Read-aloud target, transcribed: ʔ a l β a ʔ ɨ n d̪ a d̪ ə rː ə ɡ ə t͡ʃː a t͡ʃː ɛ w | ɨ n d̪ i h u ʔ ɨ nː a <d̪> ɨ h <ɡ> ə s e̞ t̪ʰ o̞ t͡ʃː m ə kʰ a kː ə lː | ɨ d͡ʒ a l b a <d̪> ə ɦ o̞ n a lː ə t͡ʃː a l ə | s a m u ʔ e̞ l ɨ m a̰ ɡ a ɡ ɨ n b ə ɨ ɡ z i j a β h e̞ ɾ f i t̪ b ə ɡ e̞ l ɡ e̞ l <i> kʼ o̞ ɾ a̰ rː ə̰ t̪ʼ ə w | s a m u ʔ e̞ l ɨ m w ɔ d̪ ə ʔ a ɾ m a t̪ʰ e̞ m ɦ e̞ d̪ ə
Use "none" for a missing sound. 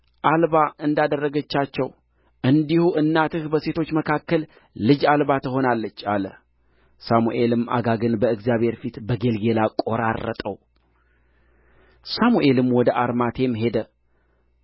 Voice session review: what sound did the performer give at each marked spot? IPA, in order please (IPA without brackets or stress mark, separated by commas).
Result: t̪, b, t̪, a